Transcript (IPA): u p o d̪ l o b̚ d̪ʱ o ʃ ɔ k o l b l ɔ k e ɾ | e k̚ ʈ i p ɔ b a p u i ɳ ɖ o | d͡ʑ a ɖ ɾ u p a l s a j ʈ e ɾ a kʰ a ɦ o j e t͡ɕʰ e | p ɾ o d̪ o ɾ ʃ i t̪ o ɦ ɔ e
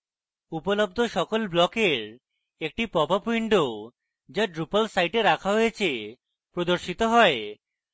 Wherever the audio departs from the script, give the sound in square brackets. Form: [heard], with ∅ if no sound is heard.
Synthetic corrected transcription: u p o [∅] l o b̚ d̪ʱ o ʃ ɔ k o l b l ɔ k e ɾ | e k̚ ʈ i p ɔ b a p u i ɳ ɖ o | d͡ʑ a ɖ ɾ u p a l s a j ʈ e ɾ a kʰ a ɦ o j e t͡ɕʰ e | p ɾ o d̪ o ɾ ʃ i t̪ o ɦ ɔ e